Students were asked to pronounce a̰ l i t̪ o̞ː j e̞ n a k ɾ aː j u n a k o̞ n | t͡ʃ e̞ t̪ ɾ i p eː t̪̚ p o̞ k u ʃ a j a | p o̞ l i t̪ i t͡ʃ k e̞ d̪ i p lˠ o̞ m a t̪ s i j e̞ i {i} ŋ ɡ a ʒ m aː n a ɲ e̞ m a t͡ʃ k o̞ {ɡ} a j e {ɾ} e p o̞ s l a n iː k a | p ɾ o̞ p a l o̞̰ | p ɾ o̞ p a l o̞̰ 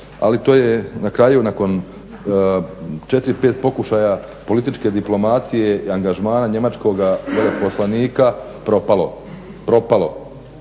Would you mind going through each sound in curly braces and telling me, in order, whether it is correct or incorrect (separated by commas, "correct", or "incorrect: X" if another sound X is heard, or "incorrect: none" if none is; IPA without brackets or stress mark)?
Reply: incorrect: a, correct, incorrect: l